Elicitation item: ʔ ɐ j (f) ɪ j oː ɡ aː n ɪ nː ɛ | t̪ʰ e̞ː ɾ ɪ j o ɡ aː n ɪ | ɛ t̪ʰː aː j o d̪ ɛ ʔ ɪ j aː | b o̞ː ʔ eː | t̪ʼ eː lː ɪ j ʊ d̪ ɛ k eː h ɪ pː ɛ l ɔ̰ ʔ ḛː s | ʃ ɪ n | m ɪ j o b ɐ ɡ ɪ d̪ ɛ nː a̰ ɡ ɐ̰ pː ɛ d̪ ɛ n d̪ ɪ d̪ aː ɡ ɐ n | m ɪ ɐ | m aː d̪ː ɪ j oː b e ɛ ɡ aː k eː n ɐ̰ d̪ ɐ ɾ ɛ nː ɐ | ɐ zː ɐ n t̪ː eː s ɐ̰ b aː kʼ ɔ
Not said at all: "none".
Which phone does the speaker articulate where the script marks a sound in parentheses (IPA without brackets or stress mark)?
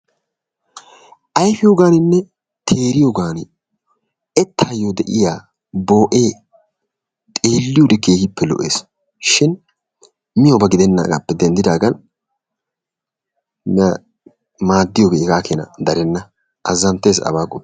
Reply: f